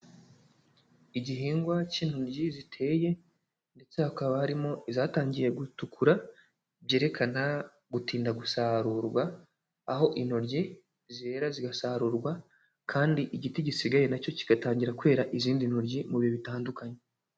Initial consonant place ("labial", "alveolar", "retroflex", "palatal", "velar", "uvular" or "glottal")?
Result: palatal